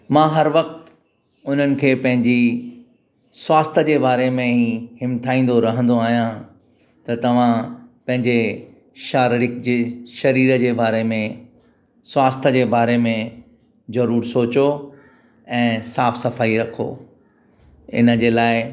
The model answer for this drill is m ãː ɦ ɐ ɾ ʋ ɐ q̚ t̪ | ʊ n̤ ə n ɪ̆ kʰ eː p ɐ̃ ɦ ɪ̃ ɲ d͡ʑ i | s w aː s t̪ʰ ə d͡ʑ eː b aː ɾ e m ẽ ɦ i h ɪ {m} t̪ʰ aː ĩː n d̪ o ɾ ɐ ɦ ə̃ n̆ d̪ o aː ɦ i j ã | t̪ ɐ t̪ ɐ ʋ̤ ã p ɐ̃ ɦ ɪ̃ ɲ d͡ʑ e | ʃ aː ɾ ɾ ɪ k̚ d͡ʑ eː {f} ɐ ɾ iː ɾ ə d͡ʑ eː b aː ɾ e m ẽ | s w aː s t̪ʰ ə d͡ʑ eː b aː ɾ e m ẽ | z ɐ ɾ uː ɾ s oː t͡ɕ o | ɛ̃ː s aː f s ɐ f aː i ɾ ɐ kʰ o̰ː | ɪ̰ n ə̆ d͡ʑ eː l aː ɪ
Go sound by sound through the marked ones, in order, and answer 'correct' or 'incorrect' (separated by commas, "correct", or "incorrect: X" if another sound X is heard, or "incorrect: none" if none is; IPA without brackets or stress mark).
correct, incorrect: ʃ